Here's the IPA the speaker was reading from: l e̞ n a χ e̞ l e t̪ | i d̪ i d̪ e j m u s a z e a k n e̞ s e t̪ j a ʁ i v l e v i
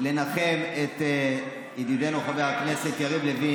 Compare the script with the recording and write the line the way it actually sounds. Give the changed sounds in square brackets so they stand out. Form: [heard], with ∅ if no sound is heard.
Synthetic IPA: l e̞ n a χ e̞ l e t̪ | i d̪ i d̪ e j [n] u [χ] a [v] e a k n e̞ s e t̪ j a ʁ i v l e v i